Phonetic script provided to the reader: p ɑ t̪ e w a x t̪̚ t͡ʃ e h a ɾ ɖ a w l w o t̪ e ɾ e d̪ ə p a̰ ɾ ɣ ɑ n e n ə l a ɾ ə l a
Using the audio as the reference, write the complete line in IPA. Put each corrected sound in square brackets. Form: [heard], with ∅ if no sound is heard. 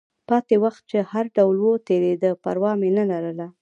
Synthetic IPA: p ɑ t̪ e w a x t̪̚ t͡ʃ e h a ɾ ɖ a w l w o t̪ e ɾ e d̪ ə p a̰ ɾ [w] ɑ [m] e n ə l a ɾ ə l a